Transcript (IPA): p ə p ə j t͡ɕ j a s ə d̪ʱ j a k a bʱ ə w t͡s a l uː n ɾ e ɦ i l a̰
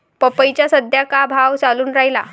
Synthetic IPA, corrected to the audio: p ə p ə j t͡ɕ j a s ə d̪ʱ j a k a bʱ a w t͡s a l uː n ɾ a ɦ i l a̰